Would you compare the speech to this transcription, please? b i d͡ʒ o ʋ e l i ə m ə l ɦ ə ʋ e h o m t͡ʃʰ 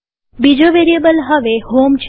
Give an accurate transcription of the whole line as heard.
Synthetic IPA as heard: b i d͡ʒ o ʋ e ɾ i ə b ə l ɦ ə ʋ e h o m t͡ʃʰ